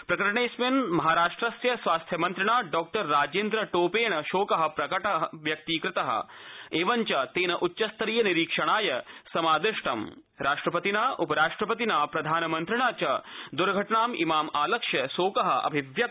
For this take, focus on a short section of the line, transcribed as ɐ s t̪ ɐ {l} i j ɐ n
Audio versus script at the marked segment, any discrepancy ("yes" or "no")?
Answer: yes